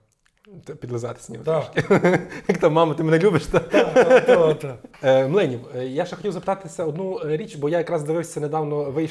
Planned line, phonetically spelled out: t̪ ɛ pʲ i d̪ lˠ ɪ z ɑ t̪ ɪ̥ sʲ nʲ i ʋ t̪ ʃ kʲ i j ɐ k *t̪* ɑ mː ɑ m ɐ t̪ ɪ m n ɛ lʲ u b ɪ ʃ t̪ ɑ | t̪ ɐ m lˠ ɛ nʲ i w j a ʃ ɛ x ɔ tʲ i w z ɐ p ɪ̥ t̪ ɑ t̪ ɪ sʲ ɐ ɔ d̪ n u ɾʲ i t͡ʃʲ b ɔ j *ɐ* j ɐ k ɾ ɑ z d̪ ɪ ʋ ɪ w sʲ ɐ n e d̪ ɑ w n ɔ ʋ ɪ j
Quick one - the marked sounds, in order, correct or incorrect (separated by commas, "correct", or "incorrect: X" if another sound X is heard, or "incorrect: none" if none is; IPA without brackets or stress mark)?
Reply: correct, incorrect: a